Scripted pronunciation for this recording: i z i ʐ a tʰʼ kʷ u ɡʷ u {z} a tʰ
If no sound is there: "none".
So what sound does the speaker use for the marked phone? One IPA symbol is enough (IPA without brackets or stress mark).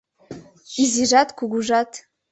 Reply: ʐ